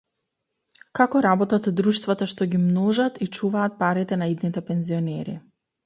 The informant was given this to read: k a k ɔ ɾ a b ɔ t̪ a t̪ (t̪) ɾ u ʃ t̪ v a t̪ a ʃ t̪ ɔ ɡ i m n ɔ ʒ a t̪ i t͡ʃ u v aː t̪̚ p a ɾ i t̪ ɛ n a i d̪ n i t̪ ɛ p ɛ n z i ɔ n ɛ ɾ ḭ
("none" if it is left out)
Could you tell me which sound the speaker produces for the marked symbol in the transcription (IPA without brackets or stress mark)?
d̪